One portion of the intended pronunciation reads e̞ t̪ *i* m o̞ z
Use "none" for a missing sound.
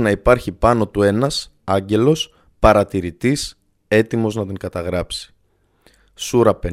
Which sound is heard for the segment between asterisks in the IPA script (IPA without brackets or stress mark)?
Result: i